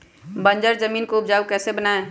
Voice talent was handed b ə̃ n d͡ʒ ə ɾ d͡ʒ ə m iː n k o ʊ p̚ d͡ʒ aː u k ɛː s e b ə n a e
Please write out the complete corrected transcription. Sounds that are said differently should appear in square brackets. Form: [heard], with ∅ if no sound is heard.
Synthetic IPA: b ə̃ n d͡ʒ ə ɾ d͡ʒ ə m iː n k o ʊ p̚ d͡ʒ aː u k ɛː s e b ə n a e